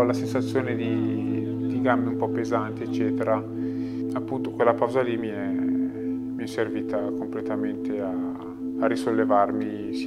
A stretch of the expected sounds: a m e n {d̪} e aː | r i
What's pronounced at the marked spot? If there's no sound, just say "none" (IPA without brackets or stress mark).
t̪